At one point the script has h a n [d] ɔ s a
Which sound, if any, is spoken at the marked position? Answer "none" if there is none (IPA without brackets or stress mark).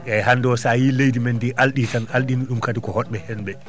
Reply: d